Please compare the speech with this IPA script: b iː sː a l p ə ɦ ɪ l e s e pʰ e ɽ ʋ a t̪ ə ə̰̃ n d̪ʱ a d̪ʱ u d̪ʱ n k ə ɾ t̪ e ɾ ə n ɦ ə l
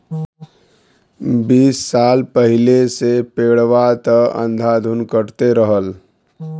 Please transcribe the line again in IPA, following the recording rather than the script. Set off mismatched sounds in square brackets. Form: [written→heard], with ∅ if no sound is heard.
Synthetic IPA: b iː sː a l p ə ɦ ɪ l e s e [pʰ→p] e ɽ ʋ a t̪ ə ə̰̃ n d̪ʱ a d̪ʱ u [d̪ʱ→∅] n k ə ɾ t̪ e ɾ ə [n→∅] ɦ ə l